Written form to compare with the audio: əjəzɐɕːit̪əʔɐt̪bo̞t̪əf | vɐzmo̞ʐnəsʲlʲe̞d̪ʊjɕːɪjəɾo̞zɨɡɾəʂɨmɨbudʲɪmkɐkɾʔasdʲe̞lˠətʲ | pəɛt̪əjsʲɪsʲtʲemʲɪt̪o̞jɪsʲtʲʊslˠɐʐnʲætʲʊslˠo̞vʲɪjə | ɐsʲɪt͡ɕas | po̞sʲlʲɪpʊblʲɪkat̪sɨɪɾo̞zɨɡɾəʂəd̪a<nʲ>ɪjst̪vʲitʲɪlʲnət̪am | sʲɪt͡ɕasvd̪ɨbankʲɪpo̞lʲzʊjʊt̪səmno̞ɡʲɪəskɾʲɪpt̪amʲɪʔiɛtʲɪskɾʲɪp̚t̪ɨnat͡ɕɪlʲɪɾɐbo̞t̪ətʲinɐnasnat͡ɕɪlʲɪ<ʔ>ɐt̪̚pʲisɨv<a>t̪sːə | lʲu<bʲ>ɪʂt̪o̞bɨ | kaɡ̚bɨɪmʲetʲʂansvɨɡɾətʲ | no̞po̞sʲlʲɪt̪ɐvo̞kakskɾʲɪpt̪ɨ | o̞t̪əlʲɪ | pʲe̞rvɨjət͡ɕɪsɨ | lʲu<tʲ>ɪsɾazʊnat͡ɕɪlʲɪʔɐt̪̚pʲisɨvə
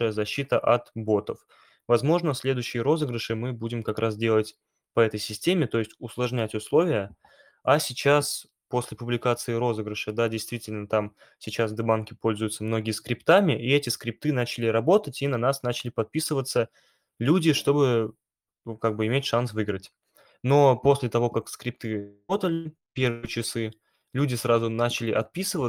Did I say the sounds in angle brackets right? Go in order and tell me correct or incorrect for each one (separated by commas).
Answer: incorrect, incorrect, incorrect, incorrect, incorrect